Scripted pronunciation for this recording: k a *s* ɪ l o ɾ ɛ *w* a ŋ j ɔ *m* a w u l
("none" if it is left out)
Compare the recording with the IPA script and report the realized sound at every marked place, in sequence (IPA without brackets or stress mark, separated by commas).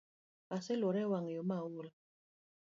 s, w, m